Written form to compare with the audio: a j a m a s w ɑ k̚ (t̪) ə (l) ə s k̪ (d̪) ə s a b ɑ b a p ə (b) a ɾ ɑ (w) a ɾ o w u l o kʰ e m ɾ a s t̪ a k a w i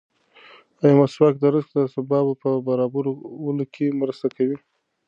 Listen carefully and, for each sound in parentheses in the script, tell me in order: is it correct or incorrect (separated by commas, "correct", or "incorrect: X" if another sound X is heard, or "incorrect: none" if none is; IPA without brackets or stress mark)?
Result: incorrect: d̪, incorrect: ɾ, correct, correct, incorrect: b